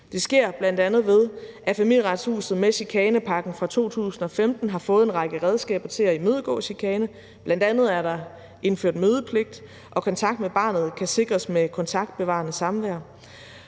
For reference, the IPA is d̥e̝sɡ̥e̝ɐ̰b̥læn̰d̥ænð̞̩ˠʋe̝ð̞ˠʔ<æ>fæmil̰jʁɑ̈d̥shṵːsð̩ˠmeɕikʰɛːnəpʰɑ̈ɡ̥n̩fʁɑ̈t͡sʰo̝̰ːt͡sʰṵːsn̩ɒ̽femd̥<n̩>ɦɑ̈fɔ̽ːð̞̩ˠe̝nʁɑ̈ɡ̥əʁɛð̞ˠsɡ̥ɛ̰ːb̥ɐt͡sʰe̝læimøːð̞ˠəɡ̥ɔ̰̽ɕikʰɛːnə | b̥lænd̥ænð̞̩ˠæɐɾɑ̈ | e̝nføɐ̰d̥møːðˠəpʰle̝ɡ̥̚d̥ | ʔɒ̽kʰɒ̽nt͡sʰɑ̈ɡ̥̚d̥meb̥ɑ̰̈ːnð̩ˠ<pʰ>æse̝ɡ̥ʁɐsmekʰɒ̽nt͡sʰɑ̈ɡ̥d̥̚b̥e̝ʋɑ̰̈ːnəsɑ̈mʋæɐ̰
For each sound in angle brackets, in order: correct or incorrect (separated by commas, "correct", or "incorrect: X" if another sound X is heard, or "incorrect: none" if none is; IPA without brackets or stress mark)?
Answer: correct, correct, incorrect: kʰ